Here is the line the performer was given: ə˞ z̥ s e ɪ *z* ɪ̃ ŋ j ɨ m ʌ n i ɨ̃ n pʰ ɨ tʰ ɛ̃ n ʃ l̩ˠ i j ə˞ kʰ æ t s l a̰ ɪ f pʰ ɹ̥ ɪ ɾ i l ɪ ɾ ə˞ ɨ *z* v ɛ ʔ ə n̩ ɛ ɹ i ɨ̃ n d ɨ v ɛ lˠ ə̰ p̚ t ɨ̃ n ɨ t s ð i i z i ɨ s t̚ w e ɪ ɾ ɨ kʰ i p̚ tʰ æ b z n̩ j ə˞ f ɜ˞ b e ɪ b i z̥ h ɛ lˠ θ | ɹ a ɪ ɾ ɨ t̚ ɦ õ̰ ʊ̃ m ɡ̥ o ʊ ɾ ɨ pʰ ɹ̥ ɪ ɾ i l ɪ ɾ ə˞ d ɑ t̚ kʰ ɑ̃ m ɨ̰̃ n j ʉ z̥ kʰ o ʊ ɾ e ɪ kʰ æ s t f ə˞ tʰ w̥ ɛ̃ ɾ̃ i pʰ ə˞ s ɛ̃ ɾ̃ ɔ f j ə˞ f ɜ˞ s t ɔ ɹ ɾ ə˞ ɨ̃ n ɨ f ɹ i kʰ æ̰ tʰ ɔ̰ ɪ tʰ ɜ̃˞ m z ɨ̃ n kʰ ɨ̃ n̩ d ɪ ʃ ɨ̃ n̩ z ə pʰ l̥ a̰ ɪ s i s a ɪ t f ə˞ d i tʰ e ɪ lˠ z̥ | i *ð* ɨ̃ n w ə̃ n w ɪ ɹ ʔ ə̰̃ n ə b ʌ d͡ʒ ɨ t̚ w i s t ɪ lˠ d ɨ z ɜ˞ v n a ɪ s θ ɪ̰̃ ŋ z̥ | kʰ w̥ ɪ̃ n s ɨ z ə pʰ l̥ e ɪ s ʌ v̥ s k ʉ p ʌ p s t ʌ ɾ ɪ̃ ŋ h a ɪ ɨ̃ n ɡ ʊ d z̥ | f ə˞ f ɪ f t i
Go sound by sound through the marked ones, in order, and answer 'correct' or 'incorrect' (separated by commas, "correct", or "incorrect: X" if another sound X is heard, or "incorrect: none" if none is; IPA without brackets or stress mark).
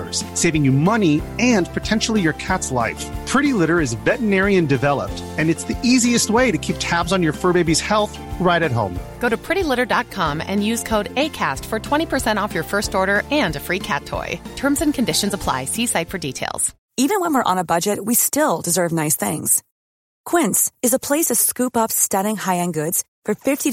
incorrect: v, correct, incorrect: v